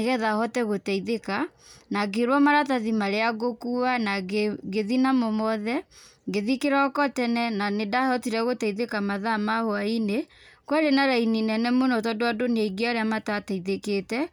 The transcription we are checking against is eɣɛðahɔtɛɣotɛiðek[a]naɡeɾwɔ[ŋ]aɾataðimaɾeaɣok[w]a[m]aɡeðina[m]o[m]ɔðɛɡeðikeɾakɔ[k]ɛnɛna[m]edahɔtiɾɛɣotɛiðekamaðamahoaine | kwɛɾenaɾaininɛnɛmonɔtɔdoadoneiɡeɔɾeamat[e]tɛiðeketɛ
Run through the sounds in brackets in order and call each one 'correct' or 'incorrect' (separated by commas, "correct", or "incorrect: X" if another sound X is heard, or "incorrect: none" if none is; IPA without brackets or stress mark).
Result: correct, incorrect: m, incorrect: u, incorrect: n, correct, correct, incorrect: t, incorrect: n, incorrect: a